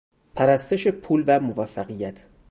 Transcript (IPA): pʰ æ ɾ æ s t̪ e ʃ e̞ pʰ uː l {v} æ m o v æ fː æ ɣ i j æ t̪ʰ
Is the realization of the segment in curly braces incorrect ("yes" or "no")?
no